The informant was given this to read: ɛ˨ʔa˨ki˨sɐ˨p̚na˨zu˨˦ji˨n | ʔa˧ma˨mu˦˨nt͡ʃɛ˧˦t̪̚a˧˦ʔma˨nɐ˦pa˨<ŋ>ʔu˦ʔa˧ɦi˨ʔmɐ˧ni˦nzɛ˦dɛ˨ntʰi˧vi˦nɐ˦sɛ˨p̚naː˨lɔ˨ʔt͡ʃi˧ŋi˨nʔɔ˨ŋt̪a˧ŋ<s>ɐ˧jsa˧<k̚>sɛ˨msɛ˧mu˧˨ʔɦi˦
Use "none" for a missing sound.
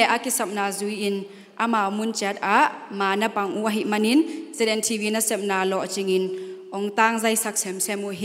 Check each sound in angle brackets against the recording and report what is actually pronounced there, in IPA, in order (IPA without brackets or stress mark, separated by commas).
ŋ, z, k̚